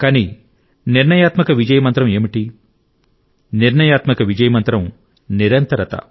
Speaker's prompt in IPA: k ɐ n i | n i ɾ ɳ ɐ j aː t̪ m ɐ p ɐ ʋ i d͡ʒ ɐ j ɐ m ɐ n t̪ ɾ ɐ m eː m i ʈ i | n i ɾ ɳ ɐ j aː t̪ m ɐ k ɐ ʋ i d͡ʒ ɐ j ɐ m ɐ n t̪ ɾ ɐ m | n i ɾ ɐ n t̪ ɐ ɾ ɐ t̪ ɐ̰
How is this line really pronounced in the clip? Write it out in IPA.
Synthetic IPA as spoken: k ɐ n i | n i ɾ ɳ ɐ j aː t̪ m ɐ k ɐ ʋ i d͡ʒ ɐ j ɐ m ɐ n t̪ ɾ ɐ m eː m i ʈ i | n i ɾ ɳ ɐ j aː t̪ m ɐ k ɐ ʋ i d͡ʒ ɐ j ɐ m ɐ n t̪ ɾ ɐ m | n i ɾ ɐ n t̪ ɐ ɾ ɐ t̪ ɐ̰